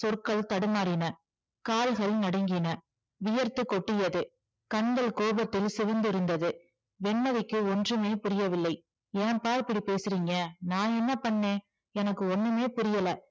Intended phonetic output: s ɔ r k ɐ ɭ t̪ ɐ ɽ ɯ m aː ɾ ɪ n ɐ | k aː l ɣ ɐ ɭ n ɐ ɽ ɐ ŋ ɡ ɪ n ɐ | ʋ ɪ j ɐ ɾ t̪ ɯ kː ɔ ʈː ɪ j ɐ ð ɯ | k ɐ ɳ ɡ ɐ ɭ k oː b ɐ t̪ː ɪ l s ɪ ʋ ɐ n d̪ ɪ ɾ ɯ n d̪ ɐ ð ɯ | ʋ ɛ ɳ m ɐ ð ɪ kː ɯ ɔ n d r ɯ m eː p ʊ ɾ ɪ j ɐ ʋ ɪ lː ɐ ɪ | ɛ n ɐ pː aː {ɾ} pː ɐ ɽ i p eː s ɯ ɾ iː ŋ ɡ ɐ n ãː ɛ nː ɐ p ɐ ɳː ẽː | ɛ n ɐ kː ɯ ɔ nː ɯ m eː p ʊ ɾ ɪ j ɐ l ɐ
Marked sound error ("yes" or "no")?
no